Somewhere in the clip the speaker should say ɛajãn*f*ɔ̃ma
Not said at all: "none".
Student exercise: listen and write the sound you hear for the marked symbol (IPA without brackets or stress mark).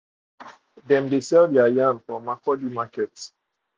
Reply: f